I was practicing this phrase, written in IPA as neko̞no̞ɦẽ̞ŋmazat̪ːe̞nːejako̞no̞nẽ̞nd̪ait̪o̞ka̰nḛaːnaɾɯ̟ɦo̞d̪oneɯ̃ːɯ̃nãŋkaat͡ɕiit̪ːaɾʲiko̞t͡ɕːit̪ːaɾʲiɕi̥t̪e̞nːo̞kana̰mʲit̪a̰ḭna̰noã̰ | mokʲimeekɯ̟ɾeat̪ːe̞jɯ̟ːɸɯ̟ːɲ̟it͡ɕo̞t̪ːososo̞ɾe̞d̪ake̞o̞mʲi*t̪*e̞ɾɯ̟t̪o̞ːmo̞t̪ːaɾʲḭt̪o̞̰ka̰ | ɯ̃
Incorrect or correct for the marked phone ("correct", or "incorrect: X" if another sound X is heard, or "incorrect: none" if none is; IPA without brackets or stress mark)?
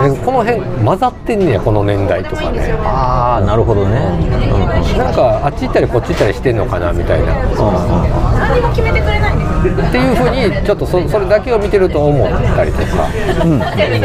correct